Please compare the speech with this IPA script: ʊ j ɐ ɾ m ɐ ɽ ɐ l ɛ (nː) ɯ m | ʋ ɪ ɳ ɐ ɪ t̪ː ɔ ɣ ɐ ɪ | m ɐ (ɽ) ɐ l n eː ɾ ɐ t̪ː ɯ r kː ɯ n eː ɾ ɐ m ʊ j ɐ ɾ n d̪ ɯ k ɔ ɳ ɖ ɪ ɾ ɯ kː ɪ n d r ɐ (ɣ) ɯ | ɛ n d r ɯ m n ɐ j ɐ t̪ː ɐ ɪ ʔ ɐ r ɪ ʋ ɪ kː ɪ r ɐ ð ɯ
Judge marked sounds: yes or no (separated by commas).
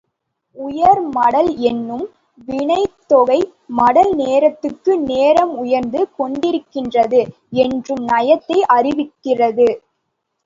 yes, yes, no